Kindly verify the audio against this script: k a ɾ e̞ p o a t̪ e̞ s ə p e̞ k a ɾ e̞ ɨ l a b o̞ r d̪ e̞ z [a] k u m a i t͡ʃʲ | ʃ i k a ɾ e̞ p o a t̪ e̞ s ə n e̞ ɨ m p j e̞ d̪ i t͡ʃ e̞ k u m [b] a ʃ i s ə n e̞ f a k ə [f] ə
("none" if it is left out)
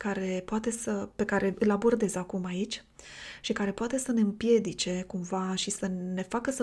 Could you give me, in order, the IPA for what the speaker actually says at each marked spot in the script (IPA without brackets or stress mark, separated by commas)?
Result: a, v, s